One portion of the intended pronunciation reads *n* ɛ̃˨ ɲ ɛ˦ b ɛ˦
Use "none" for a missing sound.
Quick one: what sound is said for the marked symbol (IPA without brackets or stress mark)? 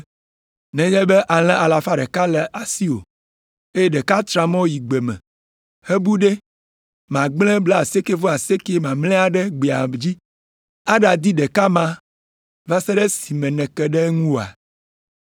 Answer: n